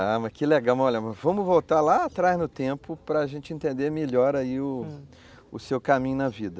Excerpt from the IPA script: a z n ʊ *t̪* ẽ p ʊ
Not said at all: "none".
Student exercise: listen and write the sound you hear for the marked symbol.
t̪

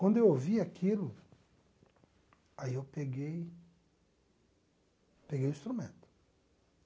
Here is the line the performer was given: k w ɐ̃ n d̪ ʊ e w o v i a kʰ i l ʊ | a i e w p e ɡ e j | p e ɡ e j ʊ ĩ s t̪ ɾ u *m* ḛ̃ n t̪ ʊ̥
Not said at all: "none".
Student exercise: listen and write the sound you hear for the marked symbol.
m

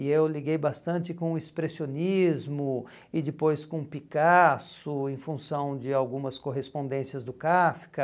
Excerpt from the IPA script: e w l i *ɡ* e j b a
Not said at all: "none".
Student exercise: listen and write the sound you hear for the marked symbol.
ɡ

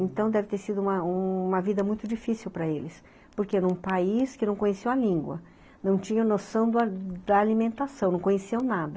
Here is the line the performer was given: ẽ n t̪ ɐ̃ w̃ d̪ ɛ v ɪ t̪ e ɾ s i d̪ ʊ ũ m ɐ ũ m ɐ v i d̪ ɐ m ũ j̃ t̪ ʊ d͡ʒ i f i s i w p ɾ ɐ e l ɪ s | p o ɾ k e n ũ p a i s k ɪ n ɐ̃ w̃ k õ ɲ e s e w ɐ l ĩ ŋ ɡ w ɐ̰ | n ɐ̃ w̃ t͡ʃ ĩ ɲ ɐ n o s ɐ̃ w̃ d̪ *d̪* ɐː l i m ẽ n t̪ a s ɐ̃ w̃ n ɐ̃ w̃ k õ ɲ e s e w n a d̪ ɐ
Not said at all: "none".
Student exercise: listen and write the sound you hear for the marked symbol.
d̪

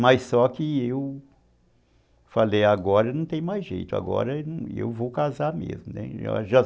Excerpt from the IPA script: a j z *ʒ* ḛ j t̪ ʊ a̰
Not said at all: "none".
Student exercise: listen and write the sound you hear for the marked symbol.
ʒ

